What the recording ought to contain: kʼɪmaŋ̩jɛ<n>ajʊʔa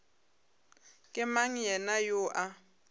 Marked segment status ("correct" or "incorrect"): correct